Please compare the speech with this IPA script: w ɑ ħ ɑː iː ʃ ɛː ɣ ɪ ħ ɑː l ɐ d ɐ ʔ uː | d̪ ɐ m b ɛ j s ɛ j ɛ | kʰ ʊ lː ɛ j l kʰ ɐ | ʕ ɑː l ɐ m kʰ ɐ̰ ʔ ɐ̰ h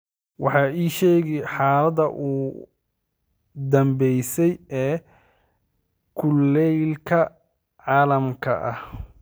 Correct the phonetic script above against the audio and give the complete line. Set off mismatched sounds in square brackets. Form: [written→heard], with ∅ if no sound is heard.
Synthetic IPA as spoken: w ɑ ħ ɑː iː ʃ ɛː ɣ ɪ ħ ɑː l ɐ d ɐ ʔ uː | d̪ ɐ m b ɛ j s ɛ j [ɛ→ɛː] | kʰ ʊ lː ɛ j l kʰ ɐ | ʕ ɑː l ɐ m kʰ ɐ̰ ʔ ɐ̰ h